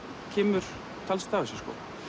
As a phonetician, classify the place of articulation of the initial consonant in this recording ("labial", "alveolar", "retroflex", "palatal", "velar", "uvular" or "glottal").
palatal